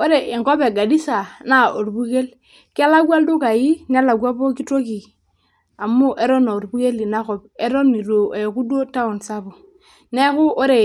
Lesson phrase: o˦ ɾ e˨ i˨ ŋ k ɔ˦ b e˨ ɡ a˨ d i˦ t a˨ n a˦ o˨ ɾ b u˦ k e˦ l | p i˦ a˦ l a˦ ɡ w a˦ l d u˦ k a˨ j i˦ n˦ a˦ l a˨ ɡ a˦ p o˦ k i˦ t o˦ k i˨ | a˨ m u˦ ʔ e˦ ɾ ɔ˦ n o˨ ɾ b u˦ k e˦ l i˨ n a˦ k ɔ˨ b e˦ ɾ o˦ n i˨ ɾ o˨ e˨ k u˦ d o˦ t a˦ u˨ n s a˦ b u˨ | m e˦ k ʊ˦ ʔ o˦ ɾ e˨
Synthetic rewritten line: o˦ ɾ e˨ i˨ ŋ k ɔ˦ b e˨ ɡ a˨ d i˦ s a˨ n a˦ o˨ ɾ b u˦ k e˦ l | k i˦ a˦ l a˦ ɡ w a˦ l d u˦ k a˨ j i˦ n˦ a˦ l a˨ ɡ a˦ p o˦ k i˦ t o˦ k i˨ | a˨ m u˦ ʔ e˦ ɾ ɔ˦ n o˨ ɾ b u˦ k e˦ l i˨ n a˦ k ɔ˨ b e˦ ɾ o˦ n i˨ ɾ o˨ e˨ k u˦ d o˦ t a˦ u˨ n s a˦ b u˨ | n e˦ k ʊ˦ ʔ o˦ ɾ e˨